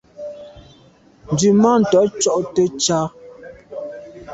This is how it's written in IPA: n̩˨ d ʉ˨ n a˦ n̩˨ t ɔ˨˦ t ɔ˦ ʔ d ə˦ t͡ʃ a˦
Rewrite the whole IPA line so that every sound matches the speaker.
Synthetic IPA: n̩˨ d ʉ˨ m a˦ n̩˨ t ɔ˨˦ t͡ʃ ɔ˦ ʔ t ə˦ t͡ʃ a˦